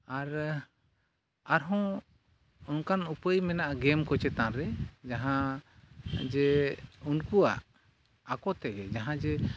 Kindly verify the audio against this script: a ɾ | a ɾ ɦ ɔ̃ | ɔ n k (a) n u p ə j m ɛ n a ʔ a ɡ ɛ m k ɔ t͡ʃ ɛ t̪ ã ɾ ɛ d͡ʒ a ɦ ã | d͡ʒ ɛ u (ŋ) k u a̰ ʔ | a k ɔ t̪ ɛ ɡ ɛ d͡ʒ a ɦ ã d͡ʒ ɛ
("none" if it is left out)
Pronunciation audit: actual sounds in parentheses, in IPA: a, n

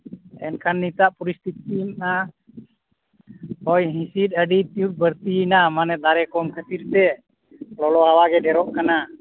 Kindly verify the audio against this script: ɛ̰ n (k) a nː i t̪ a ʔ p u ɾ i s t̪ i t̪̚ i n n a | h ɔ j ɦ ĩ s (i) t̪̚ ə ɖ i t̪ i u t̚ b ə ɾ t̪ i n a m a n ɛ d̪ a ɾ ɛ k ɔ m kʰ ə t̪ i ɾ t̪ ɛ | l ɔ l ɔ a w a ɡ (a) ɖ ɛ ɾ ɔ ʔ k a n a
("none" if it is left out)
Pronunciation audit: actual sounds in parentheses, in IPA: kʰ, i, ɛ

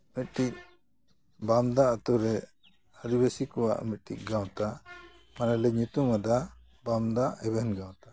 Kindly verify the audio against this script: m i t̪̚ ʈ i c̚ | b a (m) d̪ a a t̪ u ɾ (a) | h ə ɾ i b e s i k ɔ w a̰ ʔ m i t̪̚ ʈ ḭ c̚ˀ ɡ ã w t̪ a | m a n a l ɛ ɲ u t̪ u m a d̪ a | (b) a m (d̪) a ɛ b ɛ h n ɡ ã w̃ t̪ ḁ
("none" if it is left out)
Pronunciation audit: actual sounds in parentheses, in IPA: m, ɛ, b, d̪

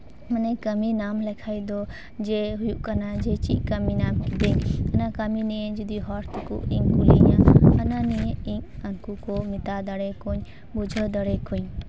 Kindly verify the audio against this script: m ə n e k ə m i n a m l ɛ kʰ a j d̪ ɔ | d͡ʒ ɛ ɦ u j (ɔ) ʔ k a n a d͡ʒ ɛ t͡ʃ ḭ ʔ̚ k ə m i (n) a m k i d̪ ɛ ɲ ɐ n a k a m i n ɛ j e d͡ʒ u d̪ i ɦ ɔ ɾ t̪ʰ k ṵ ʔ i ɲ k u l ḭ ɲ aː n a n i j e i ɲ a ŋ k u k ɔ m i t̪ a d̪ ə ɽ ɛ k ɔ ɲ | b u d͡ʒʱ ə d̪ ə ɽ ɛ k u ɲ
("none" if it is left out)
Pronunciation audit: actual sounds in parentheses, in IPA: u, n

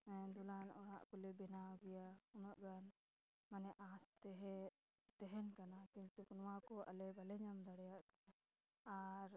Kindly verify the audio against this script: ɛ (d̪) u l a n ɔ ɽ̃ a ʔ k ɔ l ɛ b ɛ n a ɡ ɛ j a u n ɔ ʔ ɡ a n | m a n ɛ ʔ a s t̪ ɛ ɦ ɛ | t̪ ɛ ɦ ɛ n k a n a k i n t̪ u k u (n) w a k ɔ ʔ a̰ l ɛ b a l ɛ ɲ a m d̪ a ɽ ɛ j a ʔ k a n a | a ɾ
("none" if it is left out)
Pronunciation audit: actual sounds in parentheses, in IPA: d̪, n

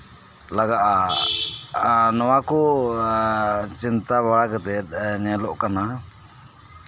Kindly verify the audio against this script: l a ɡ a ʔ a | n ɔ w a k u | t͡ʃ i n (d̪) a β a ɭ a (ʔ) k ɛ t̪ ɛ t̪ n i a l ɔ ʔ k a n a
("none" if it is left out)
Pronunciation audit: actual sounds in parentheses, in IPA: t̪, none

